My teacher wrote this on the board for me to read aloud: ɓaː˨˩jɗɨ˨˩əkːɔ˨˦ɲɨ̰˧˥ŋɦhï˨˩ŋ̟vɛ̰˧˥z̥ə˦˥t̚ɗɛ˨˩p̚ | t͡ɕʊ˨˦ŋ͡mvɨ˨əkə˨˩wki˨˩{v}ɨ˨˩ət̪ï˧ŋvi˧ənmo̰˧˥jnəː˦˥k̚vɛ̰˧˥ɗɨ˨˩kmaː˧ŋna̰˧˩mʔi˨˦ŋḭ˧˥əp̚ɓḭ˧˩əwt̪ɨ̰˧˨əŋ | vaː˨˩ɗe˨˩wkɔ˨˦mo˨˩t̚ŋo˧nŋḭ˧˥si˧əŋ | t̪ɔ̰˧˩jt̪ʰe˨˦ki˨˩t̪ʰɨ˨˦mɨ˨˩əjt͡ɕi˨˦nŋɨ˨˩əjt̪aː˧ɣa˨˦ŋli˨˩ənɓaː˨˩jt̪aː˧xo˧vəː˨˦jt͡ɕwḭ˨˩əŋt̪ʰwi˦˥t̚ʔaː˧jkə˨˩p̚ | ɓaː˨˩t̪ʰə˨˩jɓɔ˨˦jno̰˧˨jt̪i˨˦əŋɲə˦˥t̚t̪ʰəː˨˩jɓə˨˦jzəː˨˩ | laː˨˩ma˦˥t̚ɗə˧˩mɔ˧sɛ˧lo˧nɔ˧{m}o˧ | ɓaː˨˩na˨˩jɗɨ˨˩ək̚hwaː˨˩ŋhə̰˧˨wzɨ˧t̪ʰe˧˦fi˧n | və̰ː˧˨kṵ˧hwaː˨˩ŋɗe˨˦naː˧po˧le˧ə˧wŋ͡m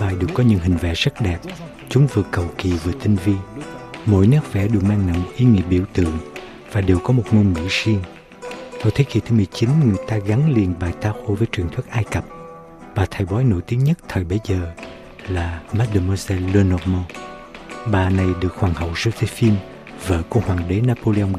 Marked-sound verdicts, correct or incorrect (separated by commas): correct, correct